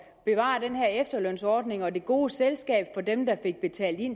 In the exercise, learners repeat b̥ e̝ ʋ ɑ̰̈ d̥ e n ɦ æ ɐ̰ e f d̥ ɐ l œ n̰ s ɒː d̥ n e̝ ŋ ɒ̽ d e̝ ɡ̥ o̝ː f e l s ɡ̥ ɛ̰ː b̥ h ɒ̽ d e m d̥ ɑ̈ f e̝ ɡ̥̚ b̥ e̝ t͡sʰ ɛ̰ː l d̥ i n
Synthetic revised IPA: b̥ e̝ ʋ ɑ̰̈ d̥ e n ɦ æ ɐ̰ e f d̥ ɐ l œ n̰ s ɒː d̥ n e̝ ŋ ɒ̽ d e̝ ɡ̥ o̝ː s e l s ɡ̥ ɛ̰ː b̥ f ɒ̽ d e m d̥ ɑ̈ f e̝ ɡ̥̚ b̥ e̝ t͡sʰ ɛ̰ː l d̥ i n